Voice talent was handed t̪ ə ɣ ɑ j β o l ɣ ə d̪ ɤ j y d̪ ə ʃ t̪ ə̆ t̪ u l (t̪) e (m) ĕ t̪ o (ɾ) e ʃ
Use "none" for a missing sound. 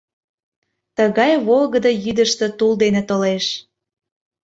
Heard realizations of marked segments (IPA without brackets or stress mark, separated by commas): d̪, n, l